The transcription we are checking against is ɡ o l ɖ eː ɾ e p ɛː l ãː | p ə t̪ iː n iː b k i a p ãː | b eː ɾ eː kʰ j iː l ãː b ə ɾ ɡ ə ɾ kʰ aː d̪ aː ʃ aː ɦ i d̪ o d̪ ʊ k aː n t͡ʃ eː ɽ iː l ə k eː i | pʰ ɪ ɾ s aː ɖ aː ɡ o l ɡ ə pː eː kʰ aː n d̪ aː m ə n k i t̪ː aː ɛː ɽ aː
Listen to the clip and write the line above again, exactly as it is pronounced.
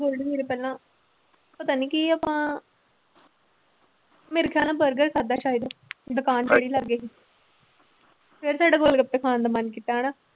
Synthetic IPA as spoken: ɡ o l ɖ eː ɾ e p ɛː l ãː | p ə t̪ aː n iː k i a p ãː | m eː ɾ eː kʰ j aː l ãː b ə ɾ ɡ ə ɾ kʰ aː d̪ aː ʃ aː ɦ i d̪ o d̪ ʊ k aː n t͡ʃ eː ɽ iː l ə ɡ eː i | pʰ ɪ ɾ s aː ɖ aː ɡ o l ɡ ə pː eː kʰ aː n d̪ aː m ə n k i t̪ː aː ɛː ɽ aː